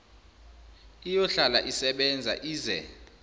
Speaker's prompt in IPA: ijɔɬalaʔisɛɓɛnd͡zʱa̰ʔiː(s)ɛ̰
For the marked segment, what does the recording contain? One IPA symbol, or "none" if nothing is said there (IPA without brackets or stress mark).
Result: z